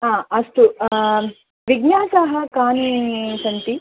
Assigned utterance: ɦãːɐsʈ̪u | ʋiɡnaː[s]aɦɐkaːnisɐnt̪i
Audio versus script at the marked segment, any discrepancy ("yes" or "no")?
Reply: no